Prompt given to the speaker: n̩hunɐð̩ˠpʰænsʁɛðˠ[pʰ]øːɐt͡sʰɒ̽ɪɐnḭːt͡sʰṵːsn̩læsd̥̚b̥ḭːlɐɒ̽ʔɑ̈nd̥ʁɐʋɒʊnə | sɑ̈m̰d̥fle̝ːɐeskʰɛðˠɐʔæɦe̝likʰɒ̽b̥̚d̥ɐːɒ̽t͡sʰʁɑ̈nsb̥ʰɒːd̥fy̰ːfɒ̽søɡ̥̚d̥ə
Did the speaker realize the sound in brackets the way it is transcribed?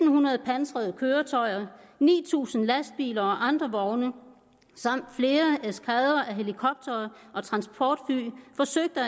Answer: no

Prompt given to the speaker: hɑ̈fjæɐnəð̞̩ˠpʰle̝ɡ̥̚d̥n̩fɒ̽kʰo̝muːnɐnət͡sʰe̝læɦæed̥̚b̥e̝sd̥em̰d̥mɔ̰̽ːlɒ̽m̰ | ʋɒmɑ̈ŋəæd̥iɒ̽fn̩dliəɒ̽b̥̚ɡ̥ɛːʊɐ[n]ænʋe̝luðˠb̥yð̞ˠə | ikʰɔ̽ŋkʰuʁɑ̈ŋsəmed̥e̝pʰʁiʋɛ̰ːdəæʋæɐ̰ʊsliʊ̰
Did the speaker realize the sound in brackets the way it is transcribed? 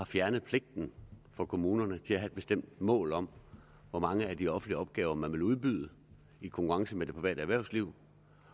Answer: no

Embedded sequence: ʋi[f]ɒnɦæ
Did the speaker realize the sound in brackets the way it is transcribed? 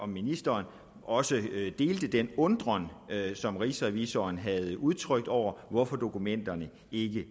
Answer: no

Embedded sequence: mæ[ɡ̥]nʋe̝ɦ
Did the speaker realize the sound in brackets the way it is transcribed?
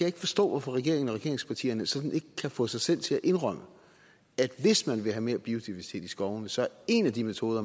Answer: no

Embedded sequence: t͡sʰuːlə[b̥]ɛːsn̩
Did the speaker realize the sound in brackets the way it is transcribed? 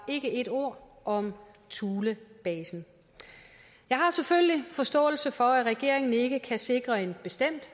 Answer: yes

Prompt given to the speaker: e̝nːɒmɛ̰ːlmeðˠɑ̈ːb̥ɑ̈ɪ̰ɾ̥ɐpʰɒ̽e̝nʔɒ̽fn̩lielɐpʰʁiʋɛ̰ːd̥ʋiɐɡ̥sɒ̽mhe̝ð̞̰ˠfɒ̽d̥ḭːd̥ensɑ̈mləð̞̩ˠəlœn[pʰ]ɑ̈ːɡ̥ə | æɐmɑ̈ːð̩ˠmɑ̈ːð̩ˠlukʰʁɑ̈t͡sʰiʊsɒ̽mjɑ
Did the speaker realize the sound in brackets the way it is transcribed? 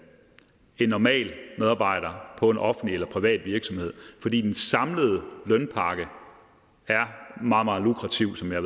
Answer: yes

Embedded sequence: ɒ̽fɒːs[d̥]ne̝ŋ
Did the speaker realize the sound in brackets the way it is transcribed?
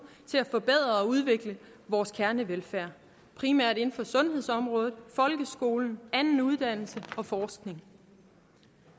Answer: no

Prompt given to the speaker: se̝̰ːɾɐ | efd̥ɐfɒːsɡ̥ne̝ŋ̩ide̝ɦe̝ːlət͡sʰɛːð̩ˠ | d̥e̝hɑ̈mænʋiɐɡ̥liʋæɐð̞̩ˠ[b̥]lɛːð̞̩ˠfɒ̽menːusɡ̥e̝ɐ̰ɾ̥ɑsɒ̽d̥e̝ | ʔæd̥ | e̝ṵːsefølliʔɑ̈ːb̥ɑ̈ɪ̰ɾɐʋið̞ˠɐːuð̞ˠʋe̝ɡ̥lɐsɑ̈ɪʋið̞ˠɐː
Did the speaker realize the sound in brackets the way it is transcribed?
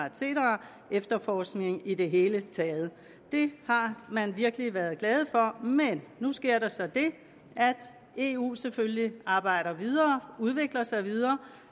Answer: no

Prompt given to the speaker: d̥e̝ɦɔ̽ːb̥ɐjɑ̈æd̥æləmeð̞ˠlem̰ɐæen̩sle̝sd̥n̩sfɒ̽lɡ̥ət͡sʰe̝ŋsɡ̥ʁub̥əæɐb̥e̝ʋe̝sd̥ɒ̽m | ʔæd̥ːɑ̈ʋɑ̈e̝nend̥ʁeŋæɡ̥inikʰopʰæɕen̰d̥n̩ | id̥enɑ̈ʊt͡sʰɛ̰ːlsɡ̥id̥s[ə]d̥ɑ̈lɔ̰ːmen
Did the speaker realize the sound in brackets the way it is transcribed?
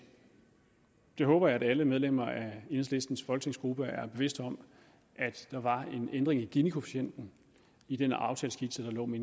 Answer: yes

